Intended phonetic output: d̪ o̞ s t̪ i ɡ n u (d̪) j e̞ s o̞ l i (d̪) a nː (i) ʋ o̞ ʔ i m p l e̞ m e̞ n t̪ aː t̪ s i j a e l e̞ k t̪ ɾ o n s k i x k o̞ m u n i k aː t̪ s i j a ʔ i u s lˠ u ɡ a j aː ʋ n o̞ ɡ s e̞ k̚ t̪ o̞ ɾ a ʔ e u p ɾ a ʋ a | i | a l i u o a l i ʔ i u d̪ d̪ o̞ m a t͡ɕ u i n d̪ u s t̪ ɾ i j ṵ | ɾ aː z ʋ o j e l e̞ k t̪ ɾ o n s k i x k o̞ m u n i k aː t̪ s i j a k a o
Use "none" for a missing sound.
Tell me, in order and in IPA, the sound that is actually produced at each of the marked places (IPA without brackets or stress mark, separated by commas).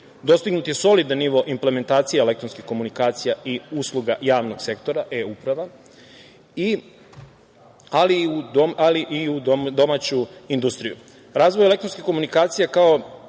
t̪, d̪, i